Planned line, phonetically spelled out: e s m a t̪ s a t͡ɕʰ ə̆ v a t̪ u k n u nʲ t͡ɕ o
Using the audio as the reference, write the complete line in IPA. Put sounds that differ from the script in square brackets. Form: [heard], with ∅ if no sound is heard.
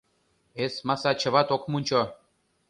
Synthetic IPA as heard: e s m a [∅] s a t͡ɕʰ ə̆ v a t̪ [o] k [m] u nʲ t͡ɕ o

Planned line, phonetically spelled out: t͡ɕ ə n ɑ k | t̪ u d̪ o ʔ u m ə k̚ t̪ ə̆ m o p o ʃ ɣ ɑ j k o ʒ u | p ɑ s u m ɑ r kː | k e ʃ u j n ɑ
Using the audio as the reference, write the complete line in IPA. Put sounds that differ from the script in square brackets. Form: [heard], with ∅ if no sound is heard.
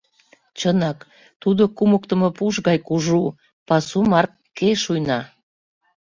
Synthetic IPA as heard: t͡ɕ ə n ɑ k | t̪ u d̪ o [k] u m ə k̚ t̪ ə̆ m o p [u] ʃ ɣ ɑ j k [u] ʒ u | p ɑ s u m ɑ r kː | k e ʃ u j n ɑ

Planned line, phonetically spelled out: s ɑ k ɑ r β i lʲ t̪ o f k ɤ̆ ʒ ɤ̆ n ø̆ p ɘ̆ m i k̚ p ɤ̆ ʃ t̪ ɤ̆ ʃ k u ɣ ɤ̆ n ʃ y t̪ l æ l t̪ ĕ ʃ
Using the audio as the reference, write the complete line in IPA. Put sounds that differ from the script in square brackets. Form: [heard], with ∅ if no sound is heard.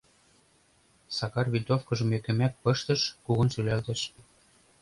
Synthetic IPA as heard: s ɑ k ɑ r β i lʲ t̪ o f k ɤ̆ ʒ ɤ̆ [m] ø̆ [k] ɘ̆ m [æ] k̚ p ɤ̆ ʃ t̪ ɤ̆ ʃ k u ɣ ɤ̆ n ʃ y [∅] l æ l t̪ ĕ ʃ

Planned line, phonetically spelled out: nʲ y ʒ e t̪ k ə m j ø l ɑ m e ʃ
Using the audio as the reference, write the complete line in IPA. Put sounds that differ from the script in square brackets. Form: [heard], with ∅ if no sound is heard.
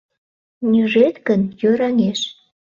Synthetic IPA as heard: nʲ y ʒ e t̪ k ə [n] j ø [ɾ] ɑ [ŋ] e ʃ

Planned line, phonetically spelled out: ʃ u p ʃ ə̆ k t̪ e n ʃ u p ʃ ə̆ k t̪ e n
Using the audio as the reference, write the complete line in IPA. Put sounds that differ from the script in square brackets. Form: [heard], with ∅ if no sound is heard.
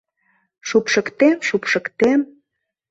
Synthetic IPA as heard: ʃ u p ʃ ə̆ k t̪ e [m] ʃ u p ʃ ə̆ k t̪ e [m]

